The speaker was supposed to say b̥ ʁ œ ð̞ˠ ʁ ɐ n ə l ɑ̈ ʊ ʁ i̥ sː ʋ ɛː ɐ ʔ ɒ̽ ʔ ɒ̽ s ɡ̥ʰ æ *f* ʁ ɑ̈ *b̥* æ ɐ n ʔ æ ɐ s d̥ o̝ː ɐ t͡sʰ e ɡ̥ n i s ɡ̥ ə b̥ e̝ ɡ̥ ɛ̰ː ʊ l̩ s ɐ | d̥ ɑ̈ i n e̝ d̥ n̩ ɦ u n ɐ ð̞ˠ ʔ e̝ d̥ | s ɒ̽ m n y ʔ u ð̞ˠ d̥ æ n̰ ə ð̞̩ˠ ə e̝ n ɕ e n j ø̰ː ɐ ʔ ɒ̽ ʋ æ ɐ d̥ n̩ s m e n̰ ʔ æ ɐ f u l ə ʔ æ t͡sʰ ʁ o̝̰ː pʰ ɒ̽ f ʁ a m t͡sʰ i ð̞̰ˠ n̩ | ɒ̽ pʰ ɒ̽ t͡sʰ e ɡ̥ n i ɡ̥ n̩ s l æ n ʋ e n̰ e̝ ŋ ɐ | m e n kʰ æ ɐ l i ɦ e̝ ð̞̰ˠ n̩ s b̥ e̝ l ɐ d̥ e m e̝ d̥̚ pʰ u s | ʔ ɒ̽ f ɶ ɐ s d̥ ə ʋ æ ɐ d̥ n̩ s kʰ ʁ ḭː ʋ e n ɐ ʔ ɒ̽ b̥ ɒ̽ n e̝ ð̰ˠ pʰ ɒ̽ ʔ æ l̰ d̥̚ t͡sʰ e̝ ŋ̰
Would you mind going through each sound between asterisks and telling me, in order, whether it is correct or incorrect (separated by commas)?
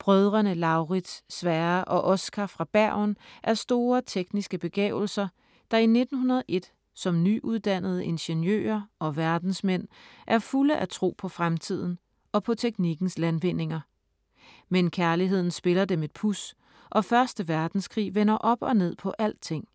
correct, correct